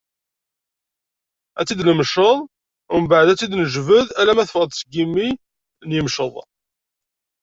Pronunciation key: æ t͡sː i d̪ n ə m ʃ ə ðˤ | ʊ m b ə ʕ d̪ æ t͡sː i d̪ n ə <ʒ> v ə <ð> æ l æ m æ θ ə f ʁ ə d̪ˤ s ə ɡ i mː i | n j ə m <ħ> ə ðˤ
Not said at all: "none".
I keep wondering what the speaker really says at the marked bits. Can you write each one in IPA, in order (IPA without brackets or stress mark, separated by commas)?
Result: ʒ, ð, ʃ